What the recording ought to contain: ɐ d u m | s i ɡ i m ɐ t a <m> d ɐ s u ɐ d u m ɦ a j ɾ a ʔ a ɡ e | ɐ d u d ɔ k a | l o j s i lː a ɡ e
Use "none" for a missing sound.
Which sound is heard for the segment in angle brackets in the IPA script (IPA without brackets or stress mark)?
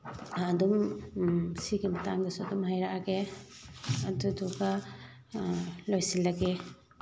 ŋ